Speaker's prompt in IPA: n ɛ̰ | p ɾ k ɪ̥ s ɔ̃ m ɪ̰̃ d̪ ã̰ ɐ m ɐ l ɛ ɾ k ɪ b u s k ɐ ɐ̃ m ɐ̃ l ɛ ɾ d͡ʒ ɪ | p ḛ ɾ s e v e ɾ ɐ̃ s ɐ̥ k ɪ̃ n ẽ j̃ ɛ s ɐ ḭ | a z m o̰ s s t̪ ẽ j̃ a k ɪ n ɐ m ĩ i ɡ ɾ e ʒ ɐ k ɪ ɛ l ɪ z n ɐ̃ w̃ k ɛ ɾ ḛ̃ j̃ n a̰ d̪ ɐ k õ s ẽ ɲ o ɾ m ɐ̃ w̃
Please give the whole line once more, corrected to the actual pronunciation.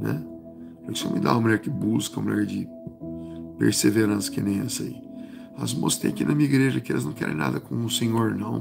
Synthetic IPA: n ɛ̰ | p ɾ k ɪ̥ s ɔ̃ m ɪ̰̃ d̪ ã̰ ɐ m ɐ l ɛ ɾ k ɪ b u s k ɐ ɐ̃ m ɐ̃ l ɛ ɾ d͡ʒ ɪ | p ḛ ɾ s e v e ɾ ɐ̃ s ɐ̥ k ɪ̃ n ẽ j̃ ɛ s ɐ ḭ | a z m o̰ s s t̪ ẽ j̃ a k i n ɐ m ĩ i ɡ ɾ e ʒ ɐ k ɪ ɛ l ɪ z n ɐ̃ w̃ k ɛ ɾ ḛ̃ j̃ n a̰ d̪ ɐ k õ s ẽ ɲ o ɾ n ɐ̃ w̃

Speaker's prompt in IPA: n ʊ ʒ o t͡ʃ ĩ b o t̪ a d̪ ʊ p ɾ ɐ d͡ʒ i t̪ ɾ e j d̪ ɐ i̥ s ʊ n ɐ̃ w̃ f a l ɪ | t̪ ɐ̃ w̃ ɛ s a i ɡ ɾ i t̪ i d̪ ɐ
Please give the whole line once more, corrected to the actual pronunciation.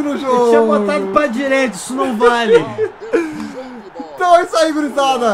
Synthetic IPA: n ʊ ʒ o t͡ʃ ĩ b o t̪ a d̪ ʊ p ɾ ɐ d͡ʒ i ɾ e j t̪ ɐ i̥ s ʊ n ɐ̃ w̃ v a l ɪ | t̪ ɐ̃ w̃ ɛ s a i ɡ ɾ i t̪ a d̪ ɐ

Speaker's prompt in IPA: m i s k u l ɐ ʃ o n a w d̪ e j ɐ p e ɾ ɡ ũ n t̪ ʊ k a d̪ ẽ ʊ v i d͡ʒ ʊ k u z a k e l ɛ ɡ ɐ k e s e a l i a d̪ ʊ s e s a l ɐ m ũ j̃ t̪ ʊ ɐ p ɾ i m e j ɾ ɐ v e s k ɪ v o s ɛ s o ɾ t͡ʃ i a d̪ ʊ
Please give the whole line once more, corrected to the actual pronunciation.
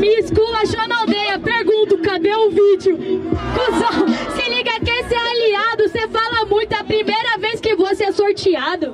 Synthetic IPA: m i s k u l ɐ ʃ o n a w d̪ e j ɐ p e ɾ ɡ ũ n t̪ ʊ k a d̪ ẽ ʊ v i d͡ʒ ʊ k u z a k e l i ɡ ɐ k e s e a l i a d̪ ʊ s e f a l ɐ m ũ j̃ t̪ ʊ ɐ p ɾ i m e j ɾ ɐ v e s k ɪ v o s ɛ s o ɾ t͡ʃ i a d̪ ʊ

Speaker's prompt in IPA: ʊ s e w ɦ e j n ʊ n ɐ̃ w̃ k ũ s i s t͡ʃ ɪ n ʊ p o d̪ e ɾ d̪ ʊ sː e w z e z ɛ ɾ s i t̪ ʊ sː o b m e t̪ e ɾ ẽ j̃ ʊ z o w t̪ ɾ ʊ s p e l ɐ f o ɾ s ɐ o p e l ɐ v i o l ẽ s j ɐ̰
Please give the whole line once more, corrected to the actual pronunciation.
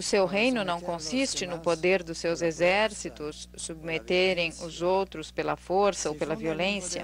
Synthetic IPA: ʊ s e w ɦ e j n ʊ n ɐ̃ w̃ k õ s i s t͡ʃ ɪ n ʊ p o d̪ e ɾ d̪ ʊ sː e w z e z ɛ ɾ s i t̪ ʊ sː u b m e t̪ e ɾ ẽ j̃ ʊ z o w t̪ ɾ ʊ s p e l ɐ f o ɾ s ɐ o p e l ɐ v i o l ẽ s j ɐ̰

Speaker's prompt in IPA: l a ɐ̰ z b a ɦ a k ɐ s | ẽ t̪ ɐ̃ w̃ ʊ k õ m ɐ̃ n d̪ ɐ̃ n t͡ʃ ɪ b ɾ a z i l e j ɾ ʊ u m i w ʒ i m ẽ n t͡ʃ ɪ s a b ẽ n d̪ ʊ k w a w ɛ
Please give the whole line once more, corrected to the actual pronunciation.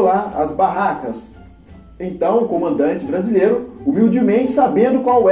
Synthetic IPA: l a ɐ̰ z b a ɦ a k ɐ s | ẽ t̪ ɐ̃ w̃ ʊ k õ m ɐ̃ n d̪ ɐ̃ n t͡ʃ ɪ b ɾ a z i l e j ɾ ʊ u m i w d͡ʒ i m ẽ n t͡ʃ ɪ s a b ẽ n d̪ ʊ k w a w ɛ

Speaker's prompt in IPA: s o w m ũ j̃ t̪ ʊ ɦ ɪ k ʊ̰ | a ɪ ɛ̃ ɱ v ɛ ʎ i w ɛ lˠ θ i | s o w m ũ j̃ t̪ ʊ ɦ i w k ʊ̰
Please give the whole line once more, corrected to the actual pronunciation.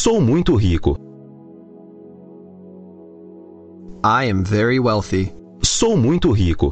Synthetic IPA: s o w m ũ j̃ t̪ ʊ ɦ i k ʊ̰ | a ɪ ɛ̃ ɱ v ɛ ɹ i w ɛ lˠ θ i | s o w m ũ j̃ t̪ ʊ ɦ i k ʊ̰

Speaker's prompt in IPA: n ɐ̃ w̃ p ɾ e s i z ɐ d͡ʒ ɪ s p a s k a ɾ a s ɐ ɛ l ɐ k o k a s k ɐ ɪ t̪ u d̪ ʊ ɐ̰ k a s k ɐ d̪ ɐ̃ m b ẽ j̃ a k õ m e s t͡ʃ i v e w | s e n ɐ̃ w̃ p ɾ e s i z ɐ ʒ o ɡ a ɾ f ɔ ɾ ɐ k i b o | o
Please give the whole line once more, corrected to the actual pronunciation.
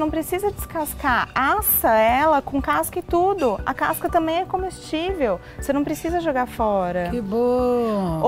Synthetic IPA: n ɐ̃ w̃ p ɾ e s i z ɐ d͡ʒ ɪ s k a s k a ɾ a s ɐ ɛ l ɐ k õ k a s k ɐ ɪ t̪ u d̪ ʊ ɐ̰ k a s k ɐ t̪ ɐ̃ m b ẽ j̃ ɛ k õ m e s t͡ʃ i v e w | s e n ɐ̃ w̃ p ɾ e s i z ɐ ʒ o ɡ a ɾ f ɔ ɾ ɐ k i b o | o

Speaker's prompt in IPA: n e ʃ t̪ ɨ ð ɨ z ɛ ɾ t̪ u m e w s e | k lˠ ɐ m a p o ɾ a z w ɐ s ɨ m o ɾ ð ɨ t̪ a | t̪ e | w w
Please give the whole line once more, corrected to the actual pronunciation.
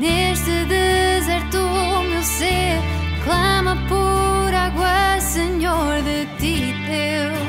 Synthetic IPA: n e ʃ t̪ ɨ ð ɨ z ɛ ɾ t̪ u m e w s e | k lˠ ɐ m ɐ p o ɾ a ɣ w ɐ s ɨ ɲ o ɾ ð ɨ t̪ i | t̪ e | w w

